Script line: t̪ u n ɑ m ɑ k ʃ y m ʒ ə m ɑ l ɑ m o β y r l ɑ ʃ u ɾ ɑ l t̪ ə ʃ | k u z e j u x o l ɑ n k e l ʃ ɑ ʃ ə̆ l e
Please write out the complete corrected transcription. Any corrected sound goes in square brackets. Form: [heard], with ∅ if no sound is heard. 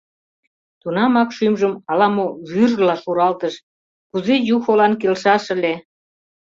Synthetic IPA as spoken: t̪ u n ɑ m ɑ k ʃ y m ʒ ə m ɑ l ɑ m o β y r l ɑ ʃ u ɾ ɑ l t̪ ə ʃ | k u z e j u x o l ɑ n k e l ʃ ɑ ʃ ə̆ l e